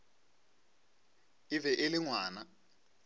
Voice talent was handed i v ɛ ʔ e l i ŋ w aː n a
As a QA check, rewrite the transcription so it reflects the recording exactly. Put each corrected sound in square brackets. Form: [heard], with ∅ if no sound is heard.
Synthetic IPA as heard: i v ɛ ʔ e l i ŋ w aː n a